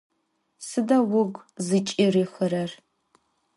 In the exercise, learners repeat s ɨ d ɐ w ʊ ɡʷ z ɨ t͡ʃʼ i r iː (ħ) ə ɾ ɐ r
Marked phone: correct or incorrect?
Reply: incorrect